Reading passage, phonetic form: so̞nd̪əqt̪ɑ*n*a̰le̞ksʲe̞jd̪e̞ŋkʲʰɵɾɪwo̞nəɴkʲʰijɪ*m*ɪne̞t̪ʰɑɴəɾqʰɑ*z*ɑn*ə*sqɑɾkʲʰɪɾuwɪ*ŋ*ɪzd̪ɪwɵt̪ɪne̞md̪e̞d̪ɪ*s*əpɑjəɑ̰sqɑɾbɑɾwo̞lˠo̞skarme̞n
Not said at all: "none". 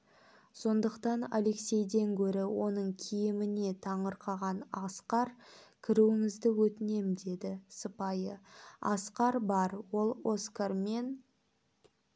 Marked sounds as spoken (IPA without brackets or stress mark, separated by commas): n, m, ʁ, ɑ, ŋ, s